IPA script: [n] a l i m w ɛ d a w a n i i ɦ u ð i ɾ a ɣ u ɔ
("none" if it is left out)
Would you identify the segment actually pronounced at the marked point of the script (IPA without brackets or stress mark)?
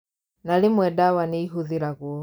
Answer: n